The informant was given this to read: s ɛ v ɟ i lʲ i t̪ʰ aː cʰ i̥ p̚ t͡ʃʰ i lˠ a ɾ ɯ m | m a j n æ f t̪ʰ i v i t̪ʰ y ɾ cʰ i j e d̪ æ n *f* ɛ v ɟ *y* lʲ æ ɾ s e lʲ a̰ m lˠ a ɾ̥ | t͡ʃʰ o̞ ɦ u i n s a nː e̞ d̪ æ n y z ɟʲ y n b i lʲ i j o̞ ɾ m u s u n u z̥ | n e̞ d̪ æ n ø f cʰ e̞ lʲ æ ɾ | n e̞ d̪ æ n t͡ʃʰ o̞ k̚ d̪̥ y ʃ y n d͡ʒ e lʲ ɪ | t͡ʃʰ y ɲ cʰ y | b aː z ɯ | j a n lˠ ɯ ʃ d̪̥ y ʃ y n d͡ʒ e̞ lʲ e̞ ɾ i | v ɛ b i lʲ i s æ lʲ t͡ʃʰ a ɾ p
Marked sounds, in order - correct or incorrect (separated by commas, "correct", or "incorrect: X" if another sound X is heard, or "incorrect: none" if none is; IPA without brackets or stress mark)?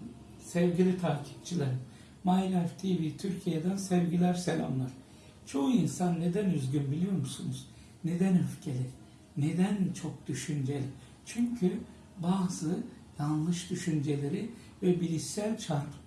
incorrect: s, incorrect: i